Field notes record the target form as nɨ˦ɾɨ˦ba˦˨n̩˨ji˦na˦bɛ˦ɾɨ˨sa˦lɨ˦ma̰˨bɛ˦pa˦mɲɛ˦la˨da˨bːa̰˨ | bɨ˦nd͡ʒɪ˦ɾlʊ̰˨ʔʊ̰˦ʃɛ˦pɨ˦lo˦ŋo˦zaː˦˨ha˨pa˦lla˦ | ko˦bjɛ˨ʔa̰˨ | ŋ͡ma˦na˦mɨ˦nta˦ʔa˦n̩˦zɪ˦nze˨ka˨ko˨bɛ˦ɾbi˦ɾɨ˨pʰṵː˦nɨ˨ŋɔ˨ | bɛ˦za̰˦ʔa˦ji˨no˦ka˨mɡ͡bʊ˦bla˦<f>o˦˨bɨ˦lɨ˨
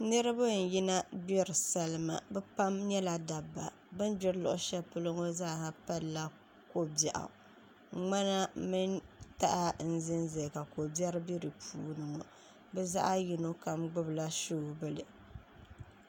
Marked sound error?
yes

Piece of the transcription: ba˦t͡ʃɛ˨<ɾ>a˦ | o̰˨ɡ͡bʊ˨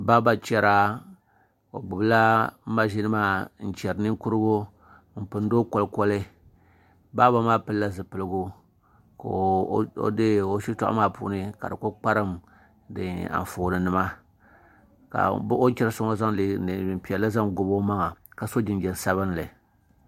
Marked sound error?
no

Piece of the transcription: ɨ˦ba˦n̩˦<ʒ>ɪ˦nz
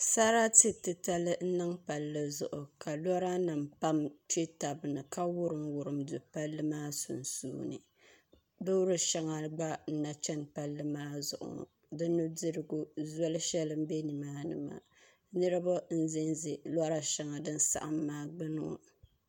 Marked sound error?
yes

